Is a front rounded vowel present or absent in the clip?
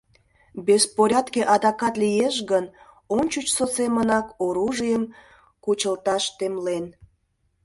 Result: absent